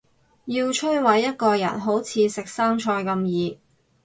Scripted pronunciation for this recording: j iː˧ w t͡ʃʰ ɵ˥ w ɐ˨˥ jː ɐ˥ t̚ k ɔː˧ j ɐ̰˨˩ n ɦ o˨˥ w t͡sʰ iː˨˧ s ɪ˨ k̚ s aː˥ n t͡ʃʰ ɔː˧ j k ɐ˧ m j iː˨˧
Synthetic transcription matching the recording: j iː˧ w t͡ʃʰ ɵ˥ w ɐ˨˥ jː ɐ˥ t̚ k ɔː˧ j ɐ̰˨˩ n ɦ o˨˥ w t͡sʰ iː˨˧ s ɪ˨ k̚ s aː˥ ŋ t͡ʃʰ ɔː˧ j k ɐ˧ m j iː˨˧